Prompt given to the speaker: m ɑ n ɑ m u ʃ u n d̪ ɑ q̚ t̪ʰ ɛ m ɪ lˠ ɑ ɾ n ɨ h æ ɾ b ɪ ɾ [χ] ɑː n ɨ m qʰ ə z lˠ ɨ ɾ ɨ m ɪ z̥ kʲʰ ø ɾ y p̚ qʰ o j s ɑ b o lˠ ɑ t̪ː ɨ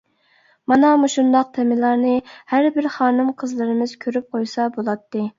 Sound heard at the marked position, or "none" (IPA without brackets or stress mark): χ